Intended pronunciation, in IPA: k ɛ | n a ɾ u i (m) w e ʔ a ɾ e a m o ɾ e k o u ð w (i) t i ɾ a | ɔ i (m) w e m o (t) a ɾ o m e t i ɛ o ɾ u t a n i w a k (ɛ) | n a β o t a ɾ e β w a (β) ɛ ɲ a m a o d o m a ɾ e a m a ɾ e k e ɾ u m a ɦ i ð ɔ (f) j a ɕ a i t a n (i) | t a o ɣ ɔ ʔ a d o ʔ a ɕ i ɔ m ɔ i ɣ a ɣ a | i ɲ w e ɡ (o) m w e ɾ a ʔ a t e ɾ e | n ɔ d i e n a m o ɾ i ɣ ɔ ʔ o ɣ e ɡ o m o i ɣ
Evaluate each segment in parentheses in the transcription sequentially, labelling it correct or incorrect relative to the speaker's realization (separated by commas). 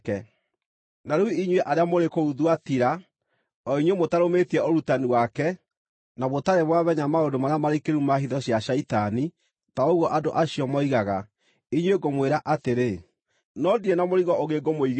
incorrect, incorrect, incorrect, correct, correct, correct, incorrect, correct, correct